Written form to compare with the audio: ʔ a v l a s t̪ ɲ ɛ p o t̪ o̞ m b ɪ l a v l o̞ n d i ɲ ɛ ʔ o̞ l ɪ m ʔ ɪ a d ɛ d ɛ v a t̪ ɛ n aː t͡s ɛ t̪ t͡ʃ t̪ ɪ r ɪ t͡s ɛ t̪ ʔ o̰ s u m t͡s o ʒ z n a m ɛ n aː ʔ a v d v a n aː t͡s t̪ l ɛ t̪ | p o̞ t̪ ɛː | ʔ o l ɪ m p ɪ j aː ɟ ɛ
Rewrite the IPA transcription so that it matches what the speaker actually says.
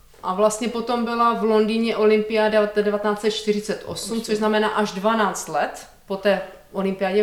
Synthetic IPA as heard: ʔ a v l a s t̪ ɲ ɛ p o t̪ o̞ m b ɪ l a v l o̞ n d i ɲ ɛ ʔ o̞ l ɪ m p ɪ a d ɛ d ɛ v a t̪ ɛ n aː t͡s ɛ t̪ t͡ʃ t̪ ɪ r ɪ t͡s ɛ t̪ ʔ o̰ s u m t͡s o ʒ z n a m ɛ n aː ʔ a ʒ d v a n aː t͡s t̪ l ɛ t̪ | p o̞ t̪ ɛː | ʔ o l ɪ m p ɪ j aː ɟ ɛ